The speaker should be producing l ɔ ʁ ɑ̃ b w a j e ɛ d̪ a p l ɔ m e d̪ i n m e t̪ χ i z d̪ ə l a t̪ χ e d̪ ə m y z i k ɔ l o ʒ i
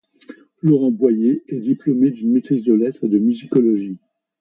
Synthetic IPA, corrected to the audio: l ɔ ʁ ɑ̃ b w a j e ɛ d̪ i p l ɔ m e d̪ y n m e t̪ χ i z d̪ ə l ɛ t̪ χ e d̪ ə m y z i k ɔ l ɔ ʒ i